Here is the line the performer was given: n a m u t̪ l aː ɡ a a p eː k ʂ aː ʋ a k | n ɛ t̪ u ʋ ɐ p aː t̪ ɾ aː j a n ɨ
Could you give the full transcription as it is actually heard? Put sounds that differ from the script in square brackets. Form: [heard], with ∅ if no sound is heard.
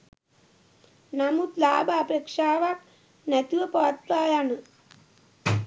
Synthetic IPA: n a m u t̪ l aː [b] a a p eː k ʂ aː ʋ a k | n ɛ t̪ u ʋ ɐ p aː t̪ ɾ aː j a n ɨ